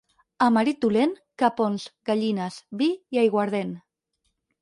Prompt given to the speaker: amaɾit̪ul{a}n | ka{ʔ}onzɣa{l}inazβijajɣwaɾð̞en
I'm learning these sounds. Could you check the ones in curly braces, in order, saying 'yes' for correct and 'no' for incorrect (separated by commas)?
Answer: no, no, no